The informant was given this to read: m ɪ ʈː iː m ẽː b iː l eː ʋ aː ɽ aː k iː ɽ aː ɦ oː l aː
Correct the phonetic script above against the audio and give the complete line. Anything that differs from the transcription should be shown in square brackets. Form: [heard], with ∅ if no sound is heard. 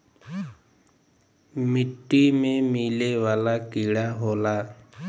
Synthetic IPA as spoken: m ɪ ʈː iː m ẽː [m] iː l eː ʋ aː [l] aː k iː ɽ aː ɦ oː l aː